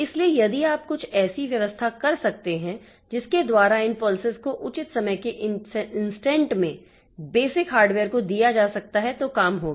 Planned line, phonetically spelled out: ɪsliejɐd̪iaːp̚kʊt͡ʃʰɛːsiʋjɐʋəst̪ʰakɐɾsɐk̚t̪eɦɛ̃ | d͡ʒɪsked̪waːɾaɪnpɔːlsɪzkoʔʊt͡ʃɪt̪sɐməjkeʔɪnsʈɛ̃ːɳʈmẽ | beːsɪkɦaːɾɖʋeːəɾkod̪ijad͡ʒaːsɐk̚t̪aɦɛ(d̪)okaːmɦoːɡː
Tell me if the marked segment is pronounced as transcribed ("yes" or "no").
no